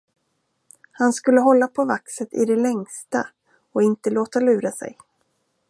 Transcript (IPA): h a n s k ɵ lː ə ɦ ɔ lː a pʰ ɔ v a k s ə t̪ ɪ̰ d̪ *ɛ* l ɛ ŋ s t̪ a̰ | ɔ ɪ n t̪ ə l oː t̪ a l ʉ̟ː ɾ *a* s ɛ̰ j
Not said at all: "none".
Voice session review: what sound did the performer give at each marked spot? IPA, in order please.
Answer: ɛ, a

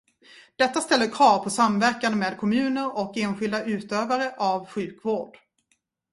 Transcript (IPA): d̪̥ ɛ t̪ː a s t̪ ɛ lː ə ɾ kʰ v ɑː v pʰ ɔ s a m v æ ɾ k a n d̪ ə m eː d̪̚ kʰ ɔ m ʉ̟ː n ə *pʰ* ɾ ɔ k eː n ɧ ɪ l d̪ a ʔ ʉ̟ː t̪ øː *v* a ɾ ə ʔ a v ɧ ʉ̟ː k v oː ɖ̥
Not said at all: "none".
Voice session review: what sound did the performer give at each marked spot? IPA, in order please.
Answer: none, v

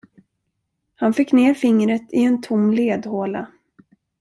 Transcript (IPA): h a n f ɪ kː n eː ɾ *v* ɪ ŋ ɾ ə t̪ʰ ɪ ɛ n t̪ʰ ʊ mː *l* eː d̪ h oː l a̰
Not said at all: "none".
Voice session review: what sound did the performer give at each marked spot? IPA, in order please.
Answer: f, l

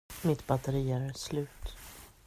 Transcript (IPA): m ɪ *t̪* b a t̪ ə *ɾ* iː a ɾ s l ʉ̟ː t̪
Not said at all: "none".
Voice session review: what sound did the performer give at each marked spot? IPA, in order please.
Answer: t̪, ɾ

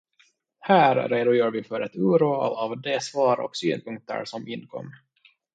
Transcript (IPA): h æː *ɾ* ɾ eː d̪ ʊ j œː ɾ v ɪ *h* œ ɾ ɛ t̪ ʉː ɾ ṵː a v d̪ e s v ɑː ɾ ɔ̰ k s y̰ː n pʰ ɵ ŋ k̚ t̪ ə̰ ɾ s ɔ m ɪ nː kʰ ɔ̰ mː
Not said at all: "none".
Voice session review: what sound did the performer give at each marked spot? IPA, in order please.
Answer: ɾ, f

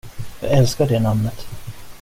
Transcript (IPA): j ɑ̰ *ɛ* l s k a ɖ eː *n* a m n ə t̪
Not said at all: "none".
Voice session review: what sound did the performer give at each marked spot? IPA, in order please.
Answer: ɛ, n

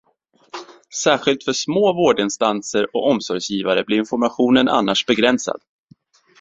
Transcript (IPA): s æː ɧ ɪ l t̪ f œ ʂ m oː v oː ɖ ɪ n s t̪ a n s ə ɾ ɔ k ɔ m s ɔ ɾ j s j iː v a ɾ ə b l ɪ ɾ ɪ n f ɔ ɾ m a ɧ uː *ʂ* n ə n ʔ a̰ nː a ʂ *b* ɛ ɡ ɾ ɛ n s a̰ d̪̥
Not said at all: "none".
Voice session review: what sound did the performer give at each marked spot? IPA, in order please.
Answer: none, b

